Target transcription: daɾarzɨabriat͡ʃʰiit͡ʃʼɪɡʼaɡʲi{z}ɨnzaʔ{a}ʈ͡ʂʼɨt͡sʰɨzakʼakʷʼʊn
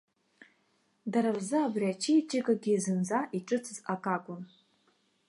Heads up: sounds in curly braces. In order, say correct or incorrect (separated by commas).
correct, incorrect